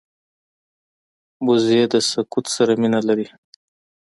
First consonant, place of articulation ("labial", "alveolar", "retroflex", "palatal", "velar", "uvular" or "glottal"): labial